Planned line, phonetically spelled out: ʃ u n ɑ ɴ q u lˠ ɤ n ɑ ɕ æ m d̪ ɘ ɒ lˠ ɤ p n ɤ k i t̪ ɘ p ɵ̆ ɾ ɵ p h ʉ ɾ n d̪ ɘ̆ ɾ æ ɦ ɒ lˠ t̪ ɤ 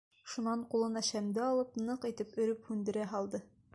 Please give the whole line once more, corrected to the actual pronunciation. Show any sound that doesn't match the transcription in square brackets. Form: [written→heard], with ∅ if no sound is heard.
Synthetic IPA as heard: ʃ u n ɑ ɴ q u lˠ ɤ n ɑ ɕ æ m d̪ ɘ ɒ lˠ ɤ p n ɤ [k→q] i t̪ ɘ p ɵ̆ ɾ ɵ p h ʉ [ɾ→∅] n d̪ ɘ̆ ɾ æ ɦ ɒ lˠ [t̪→d̪] ɤ